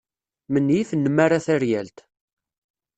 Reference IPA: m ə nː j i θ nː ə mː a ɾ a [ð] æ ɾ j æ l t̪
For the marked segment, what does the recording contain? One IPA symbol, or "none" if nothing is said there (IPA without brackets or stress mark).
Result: θ